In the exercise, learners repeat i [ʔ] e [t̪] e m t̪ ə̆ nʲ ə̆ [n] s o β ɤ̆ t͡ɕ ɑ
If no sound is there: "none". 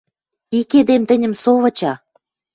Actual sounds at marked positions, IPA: k, d̪, m

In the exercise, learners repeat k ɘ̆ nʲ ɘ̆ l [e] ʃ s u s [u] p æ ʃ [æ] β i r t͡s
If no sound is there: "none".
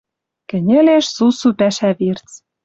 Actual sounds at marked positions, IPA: e, u, æ

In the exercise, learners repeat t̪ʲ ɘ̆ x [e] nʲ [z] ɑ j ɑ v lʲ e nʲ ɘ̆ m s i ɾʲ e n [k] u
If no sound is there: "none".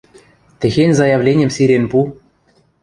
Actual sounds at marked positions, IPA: e, z, p

